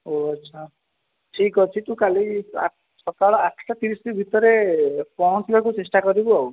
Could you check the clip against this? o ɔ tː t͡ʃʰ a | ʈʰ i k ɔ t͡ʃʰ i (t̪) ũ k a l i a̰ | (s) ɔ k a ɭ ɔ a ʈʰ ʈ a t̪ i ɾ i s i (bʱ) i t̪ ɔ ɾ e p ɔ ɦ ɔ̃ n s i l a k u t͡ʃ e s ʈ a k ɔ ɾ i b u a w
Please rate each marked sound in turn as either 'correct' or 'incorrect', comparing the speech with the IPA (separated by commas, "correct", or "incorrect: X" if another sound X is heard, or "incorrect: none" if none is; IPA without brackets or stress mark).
correct, correct, correct